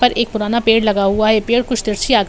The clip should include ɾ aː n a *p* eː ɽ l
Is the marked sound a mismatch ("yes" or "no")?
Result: no